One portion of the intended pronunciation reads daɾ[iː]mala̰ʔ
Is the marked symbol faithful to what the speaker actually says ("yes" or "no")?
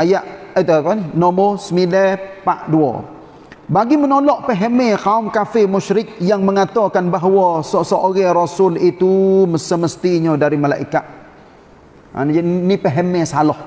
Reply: no